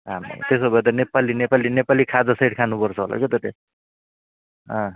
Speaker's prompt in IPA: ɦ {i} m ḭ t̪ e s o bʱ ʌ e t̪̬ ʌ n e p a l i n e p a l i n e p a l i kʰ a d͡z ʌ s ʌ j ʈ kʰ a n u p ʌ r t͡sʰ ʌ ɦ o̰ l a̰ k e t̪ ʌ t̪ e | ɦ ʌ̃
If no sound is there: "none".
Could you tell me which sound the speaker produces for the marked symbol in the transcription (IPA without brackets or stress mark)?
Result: a